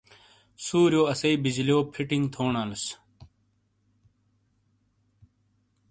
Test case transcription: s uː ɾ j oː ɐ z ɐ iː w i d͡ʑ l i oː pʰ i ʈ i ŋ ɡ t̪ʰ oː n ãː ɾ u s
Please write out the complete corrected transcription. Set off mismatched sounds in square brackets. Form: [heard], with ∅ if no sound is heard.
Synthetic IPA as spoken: s uː ɾ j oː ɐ [s] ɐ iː [b] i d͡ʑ l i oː pʰ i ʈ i ŋ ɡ t̪ʰ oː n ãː [l] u s